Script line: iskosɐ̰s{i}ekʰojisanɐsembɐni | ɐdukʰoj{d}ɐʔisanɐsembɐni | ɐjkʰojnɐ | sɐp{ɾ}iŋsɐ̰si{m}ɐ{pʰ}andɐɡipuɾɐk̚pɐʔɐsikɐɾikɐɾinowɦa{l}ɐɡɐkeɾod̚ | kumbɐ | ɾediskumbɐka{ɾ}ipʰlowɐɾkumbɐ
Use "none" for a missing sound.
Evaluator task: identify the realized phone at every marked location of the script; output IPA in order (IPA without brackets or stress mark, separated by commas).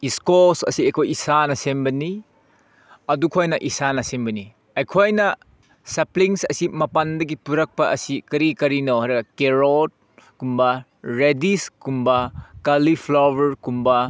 i, n, l, m, p, ɾ, l